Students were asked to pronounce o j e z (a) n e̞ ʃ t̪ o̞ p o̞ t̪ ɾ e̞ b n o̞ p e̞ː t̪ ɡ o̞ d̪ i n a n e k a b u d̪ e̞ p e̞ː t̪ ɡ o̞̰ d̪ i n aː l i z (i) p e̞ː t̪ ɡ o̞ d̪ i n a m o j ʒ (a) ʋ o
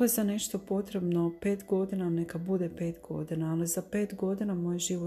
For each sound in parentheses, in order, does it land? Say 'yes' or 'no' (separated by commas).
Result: yes, no, no